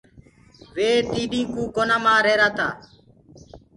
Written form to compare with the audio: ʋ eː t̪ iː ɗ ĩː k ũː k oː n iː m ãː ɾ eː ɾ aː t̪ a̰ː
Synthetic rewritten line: ʋ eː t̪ iː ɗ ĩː k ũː k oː n aː m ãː ɾ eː ɾ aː t̪ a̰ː